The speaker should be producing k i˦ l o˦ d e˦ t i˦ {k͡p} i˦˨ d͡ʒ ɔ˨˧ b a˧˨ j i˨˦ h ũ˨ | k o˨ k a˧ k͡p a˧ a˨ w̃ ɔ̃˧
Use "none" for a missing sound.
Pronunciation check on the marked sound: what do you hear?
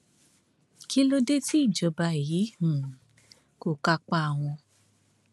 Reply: none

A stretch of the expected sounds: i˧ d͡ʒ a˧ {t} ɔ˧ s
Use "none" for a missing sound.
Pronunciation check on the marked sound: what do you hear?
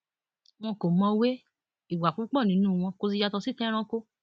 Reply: t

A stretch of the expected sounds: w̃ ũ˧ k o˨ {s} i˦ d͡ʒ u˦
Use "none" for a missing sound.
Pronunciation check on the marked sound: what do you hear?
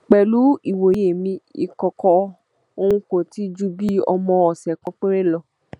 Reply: t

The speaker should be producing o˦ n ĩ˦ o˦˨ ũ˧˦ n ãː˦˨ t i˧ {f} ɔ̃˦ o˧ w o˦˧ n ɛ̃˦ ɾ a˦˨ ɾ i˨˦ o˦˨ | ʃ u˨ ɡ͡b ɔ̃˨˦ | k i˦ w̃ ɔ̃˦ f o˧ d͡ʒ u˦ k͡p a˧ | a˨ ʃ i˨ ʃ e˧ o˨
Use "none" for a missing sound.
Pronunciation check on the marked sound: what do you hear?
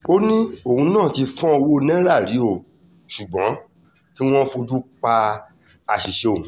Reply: f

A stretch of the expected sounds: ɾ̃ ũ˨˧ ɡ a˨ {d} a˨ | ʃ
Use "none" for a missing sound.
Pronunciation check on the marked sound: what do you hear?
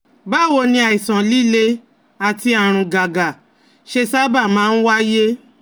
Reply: ɡ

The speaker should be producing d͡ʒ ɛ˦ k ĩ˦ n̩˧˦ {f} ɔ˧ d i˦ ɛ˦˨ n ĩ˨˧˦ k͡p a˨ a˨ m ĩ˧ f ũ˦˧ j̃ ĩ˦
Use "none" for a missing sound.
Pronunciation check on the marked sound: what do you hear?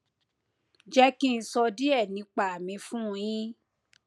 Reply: s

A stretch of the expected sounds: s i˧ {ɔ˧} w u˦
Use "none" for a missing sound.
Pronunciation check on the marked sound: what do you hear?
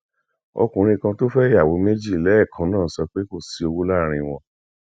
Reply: o˧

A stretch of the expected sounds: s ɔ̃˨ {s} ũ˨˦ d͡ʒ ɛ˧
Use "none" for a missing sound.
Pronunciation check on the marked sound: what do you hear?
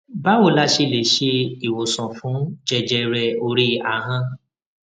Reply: f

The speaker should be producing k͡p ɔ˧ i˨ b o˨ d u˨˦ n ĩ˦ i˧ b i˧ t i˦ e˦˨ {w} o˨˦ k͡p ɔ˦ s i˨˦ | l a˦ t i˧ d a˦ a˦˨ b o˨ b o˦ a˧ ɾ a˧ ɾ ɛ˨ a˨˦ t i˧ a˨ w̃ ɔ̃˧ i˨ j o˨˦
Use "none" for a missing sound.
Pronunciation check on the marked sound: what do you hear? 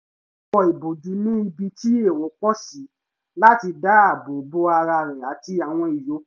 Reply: w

